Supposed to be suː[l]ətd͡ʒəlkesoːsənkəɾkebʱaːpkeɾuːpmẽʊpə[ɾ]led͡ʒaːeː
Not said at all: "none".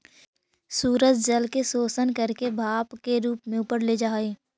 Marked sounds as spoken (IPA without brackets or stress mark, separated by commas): ɾ, ɾ